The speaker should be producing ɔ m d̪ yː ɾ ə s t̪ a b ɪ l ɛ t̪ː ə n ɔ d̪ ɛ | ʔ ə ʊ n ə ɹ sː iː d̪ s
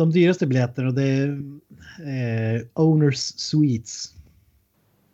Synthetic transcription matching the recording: ɔ m d̪ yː ɾ ə s t̪ ə b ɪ l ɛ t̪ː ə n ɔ d̪ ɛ | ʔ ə ʊ n ə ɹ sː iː t̪ s